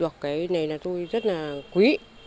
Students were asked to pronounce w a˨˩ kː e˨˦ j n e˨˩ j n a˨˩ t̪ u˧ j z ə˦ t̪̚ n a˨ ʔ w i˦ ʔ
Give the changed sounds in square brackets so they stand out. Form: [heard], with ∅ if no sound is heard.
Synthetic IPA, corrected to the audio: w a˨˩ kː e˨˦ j n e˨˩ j n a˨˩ t̪ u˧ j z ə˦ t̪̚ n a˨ [k] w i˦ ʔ